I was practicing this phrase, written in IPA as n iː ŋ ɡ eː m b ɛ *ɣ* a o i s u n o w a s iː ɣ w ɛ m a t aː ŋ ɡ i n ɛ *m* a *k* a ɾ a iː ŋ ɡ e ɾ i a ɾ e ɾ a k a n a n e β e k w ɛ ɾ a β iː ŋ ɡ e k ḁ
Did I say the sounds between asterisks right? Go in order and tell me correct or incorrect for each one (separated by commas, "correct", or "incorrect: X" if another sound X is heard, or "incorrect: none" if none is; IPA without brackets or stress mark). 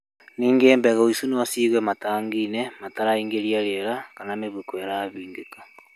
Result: correct, correct, incorrect: t